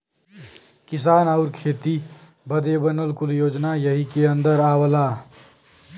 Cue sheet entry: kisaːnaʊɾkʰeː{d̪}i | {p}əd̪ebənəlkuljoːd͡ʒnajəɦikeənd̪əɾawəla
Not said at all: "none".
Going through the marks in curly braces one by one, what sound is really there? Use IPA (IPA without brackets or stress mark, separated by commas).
t̪, b